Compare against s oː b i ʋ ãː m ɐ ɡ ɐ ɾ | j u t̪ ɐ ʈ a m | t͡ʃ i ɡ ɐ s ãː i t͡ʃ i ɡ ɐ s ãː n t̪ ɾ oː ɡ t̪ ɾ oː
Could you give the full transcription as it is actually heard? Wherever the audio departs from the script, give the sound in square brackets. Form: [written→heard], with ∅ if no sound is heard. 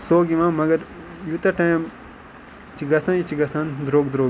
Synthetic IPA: s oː [b→ɡ] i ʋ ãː m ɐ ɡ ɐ ɾ | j u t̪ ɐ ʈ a m | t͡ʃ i ɡ ɐ s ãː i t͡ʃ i ɡ ɐ s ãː n [t̪→d̪] ɾ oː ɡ [t̪→d̪] ɾ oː